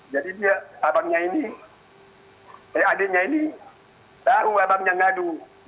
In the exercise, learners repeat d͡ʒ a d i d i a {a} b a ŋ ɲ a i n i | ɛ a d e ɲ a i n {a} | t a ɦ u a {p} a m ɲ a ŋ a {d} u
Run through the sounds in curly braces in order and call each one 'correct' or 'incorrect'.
correct, incorrect, incorrect, correct

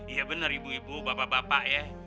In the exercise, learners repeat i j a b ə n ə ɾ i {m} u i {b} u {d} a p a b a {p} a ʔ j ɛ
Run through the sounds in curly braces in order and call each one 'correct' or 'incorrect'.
incorrect, correct, incorrect, correct

